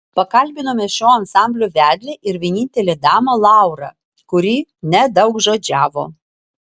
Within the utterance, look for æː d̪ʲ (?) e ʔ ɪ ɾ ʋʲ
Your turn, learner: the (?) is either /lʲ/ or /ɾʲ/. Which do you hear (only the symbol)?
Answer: lʲ